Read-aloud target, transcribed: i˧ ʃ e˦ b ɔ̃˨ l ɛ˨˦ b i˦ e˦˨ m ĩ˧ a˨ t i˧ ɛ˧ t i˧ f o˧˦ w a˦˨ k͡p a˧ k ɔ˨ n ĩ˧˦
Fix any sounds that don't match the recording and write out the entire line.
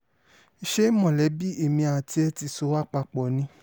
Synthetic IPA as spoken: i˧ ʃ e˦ m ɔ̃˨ l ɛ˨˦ b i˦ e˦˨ m ĩ˧ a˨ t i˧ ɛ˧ t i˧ s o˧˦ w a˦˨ k͡p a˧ k͡p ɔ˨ n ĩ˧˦

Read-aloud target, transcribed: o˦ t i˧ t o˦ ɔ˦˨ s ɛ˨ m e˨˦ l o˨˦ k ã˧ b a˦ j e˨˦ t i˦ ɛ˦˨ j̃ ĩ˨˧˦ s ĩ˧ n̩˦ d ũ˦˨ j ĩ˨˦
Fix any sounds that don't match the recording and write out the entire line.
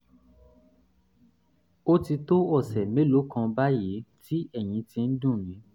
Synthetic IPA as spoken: o˦ t i˧ t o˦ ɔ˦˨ s ɛ˨ m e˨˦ l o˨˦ k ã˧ b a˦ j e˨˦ t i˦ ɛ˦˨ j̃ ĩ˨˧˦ t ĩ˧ n̩˦ d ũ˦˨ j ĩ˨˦

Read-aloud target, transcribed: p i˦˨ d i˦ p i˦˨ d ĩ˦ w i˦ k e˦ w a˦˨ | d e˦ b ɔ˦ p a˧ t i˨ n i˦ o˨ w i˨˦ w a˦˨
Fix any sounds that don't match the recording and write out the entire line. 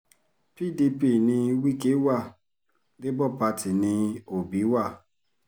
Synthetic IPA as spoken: p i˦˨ d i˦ p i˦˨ n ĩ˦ w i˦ k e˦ w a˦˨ | d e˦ b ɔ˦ p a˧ t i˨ n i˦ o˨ b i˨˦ w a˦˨

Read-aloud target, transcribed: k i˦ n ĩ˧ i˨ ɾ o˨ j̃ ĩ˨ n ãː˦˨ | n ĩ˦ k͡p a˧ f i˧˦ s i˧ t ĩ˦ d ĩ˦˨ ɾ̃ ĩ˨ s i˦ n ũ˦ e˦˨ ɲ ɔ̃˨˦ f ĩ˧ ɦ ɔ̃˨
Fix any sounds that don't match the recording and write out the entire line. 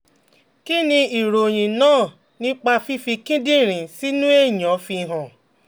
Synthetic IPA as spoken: k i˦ n ĩ˧ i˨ ɾ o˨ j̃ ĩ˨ n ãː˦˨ | n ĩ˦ k͡p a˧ f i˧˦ f i˧ k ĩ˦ d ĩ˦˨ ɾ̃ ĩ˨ s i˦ n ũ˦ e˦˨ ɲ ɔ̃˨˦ f i˧ ɦ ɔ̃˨

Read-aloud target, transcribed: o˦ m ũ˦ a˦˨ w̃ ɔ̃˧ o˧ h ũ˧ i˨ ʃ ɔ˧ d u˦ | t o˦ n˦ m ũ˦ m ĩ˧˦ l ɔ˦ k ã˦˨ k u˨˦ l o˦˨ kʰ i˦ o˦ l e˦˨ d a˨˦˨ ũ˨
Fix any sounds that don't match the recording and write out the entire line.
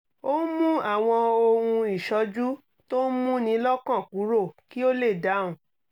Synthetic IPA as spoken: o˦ m ũ˦ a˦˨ w̃ ɔ̃˧ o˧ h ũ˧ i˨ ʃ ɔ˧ d͡ʒ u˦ | t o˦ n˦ m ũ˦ n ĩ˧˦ l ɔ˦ k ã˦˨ k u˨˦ ɾ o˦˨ k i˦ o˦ l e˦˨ d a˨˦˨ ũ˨

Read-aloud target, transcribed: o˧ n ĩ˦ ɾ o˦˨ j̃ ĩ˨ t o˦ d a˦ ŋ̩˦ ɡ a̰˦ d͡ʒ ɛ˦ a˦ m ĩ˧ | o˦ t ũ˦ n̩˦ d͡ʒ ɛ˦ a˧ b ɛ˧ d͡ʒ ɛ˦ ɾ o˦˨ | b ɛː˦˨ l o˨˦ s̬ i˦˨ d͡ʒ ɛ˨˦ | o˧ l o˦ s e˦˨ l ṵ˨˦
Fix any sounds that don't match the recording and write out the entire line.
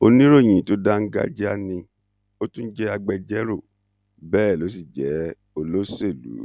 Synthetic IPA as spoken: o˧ n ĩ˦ ɾ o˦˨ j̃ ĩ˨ t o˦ d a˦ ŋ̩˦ ɡ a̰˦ d͡ʒ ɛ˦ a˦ n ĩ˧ | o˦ t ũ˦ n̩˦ d͡ʒ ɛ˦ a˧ ɡ͡b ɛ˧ d͡ʒ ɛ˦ ɾ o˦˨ | b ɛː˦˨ l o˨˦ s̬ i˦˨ d͡ʒ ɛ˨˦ | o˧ l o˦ s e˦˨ l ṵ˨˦

